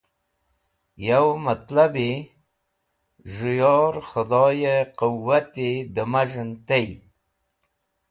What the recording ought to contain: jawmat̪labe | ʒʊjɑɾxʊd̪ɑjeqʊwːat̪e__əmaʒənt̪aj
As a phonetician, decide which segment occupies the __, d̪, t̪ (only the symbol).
d̪